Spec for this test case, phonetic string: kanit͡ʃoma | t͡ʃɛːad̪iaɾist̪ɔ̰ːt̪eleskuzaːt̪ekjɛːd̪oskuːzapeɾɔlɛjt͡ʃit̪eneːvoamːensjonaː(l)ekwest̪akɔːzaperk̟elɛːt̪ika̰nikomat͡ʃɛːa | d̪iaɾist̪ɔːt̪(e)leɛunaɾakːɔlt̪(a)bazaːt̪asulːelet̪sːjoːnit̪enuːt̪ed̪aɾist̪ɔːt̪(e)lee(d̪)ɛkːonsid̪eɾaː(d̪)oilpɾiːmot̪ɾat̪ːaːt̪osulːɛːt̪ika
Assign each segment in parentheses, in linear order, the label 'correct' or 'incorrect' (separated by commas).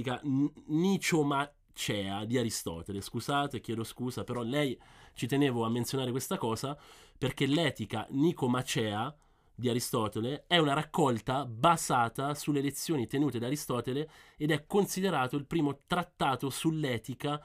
incorrect, correct, correct, correct, correct, incorrect